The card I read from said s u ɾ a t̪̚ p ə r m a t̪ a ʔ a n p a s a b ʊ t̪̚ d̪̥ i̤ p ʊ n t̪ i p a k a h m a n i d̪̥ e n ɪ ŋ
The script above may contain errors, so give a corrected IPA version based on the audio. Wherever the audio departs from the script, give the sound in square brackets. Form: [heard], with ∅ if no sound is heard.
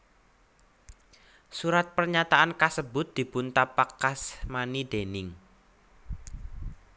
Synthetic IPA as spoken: s u ɾ a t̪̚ p ə r [ɲ] a t̪ a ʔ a n [k] a s [ə] b ʊ t̪̚ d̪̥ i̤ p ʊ n t̪ [a] p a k a [s] m a n i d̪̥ e n ɪ ŋ

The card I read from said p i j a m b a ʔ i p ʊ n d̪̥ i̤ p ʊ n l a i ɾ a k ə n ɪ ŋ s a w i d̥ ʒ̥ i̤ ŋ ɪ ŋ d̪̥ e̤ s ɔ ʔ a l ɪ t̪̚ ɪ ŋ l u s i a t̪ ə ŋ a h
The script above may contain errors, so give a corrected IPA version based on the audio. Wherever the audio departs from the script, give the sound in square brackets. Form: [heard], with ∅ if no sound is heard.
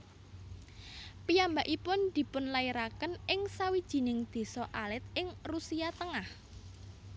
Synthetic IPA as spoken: p i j a m b a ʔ i p ʊ n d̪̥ i̤ p ʊ n l a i ɾ a k ə n ɪ ŋ s a w i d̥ ʒ̥ i̤ [n] ɪ ŋ d̪̥ e̤ s ɔ ʔ a l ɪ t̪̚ ɪ ŋ [r] u s i a t̪ ə ŋ a h

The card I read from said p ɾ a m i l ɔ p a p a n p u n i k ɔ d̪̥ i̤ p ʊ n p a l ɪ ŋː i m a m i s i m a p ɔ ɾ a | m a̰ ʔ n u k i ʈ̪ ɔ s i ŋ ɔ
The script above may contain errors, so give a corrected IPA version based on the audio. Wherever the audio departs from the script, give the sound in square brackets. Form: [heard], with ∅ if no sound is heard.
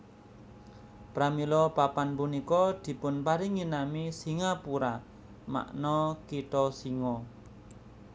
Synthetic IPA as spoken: p ɾ a m i l ɔ p a p a n p u n i k ɔ d̪̥ i̤ p ʊ n p a [ɾ] ɪ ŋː i [n] a m i s i [ŋ] a p [u] ɾ a | m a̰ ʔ n [ɔ] k i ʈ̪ ɔ s i ŋ ɔ

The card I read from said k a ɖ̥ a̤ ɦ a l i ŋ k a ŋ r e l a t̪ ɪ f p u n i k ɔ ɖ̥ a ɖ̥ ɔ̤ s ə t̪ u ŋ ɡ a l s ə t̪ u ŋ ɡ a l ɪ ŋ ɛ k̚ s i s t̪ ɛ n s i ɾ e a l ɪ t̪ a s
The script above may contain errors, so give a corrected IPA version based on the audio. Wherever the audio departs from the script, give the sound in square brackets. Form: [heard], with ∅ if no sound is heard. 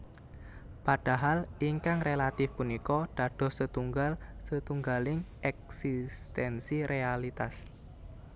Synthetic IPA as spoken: [p] a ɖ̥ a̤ ɦ a l i ŋ k a ŋ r e l a t̪ ɪ f p u n i k ɔ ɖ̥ a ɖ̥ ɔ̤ s ə t̪ u ŋ ɡ a l s ə t̪ u ŋ ɡ a l ɪ ŋ ɛ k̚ s i s t̪ ɛ n s i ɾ e a l [i] t̪ a s

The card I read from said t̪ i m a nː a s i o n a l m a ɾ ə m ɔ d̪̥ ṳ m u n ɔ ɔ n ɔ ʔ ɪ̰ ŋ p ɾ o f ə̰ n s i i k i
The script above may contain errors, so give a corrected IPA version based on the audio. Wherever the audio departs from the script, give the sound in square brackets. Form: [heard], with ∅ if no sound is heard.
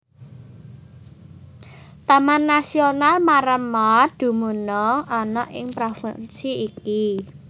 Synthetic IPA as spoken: t̪ [a] m a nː a s i o n a l m a ɾ ə m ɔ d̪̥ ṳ m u n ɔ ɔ n ɔ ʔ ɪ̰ ŋ p ɾ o f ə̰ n s i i k i

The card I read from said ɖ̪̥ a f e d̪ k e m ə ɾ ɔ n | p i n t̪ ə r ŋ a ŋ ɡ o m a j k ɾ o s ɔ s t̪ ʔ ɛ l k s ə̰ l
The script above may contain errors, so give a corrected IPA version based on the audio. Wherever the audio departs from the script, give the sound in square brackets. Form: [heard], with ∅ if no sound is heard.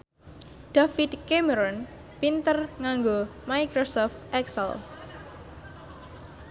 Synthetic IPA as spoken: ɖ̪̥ a f [i] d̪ k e m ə ɾ ɔ n | p i n t̪ ə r ŋ a ŋ ɡ o m a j k ɾ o s ɔ [f] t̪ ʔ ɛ [∅] k s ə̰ l

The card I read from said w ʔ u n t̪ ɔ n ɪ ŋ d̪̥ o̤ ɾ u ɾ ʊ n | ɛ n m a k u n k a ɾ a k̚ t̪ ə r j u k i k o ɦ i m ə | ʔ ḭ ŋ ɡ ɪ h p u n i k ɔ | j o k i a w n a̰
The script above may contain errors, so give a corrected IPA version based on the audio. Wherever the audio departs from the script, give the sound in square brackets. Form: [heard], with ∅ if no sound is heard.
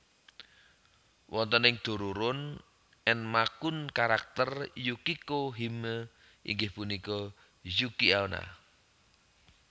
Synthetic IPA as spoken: w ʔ [ɔ] n t̪ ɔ n ɪ ŋ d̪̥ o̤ ɾ u ɾ ʊ n | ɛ n m a k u n k a ɾ a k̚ t̪ ə r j u k i k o ɦ i m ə | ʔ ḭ ŋ ɡ ɪ h p u n i k ɔ | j [u] k i a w n a̰

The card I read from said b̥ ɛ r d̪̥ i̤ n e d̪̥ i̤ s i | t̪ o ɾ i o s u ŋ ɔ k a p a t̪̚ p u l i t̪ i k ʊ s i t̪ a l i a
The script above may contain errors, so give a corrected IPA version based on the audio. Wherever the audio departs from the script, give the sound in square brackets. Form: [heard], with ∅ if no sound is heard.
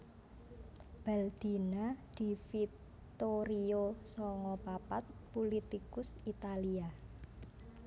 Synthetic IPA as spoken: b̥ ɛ [l] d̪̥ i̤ n [a] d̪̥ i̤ [f] i | t̪ o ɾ i o s [ɔ] ŋ ɔ [p] a p a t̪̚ p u l i t̪ i k ʊ s i t̪ a l i a

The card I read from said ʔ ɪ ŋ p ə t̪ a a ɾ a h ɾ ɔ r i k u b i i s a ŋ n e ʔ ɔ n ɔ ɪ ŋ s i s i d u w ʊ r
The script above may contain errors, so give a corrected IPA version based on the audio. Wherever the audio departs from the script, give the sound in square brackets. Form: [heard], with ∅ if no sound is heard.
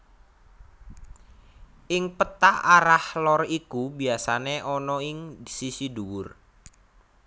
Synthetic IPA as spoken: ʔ ɪ ŋ p ə t̪ a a ɾ a h [l] ɔ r i k u b i [a] s a [∅] n e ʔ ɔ n ɔ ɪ ŋ s i s i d u w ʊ r

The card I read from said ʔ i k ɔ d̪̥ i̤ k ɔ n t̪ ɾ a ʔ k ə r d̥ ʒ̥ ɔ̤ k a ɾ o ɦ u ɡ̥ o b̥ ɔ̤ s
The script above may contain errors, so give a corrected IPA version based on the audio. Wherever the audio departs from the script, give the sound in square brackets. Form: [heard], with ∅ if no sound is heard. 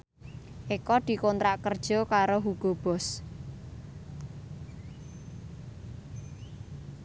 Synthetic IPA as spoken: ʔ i k ɔ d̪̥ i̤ k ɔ n t̪ ɾ a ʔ k ə r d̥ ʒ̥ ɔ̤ k a ɾ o ɦ u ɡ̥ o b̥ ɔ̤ s

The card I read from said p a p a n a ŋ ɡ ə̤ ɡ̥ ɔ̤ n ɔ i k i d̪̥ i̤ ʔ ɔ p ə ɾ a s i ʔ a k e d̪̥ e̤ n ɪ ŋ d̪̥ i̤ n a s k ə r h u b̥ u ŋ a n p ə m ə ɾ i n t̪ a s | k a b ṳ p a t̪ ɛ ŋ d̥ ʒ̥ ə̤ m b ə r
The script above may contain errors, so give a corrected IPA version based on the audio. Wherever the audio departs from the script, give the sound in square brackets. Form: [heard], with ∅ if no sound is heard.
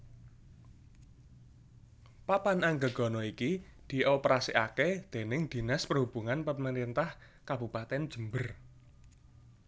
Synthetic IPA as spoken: p a p a n a ŋ ɡ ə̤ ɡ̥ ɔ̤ n ɔ i k i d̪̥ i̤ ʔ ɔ p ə ɾ a s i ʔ a k e d̪̥ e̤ n ɪ ŋ d̪̥ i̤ n a s [p] ə r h u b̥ u ŋ a n p ə m ə ɾ i n t̪ a [h] | k a b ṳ p a t̪ ɛ [n] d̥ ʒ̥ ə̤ m b ə r

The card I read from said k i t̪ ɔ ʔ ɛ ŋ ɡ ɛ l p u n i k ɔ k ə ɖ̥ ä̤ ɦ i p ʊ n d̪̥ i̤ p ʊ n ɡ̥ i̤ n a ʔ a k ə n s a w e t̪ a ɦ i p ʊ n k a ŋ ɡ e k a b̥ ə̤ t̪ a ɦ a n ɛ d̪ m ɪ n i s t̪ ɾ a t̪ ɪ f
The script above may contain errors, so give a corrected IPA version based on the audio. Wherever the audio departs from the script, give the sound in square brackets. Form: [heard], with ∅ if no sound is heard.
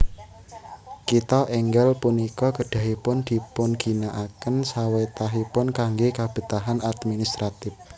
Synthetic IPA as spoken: k i t̪ ɔ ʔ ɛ ŋ ɡ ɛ l p u n i k ɔ k ə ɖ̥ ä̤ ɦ i p ʊ n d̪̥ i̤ p ʊ n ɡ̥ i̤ n a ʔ a k ə n s a w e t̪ a ɦ i p ʊ n k a ŋ ɡ e k a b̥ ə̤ t̪ a ɦ a n [a] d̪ m [i] n i s t̪ ɾ a t̪ ɪ f

